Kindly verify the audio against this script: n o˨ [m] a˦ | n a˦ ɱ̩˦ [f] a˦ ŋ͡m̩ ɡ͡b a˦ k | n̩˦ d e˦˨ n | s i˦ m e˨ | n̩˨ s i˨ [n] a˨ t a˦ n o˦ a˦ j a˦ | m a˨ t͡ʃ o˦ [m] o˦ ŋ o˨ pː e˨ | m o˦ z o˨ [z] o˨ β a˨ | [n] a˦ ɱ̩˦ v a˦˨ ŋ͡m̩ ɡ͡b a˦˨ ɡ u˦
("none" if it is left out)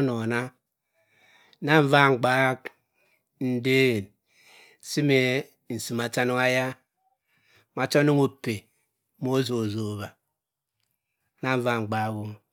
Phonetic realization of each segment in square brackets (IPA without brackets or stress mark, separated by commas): n, v, m, n, z, n